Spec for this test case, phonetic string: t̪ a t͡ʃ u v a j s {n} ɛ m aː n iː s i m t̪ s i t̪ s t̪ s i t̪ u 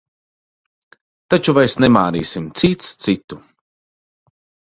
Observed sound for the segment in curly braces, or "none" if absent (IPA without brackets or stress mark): n